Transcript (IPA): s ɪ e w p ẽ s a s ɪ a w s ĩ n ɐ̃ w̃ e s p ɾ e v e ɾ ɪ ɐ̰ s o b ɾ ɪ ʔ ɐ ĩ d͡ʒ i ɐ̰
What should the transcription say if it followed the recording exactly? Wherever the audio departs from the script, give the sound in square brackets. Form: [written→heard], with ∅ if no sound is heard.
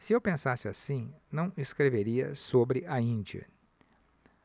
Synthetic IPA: s ɪ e w p ẽ s a s ɪ a [w→∅] s ĩ n ɐ̃ w̃ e s [p→k] ɾ e v e ɾ [ɪ→i] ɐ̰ s o b ɾ ɪ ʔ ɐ ĩ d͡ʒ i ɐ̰